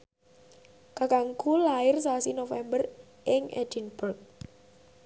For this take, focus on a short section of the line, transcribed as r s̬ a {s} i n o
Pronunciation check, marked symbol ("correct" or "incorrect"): correct